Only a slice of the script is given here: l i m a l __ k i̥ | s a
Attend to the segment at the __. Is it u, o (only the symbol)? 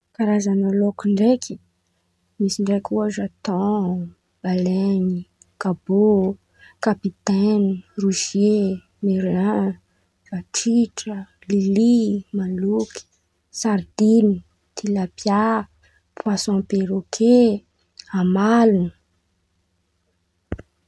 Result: u